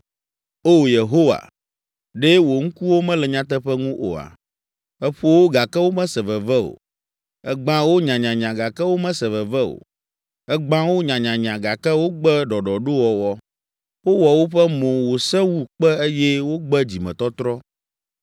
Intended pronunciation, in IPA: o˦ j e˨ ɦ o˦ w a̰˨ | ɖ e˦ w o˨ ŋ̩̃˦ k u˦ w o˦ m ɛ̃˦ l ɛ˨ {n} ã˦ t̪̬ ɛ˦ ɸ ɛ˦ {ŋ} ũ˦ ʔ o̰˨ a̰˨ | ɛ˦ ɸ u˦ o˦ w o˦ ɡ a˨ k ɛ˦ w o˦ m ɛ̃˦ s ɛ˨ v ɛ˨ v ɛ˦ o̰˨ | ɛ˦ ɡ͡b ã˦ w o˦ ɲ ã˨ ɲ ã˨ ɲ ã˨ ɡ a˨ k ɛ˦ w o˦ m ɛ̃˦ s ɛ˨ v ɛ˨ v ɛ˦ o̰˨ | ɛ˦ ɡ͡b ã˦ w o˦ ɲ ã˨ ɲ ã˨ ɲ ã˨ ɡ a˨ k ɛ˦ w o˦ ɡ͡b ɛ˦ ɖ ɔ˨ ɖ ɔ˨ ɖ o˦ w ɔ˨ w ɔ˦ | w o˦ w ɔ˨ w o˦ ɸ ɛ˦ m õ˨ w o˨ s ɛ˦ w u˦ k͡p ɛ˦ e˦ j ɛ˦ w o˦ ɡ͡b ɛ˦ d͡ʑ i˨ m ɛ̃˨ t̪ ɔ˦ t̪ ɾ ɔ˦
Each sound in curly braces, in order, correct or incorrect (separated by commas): incorrect, correct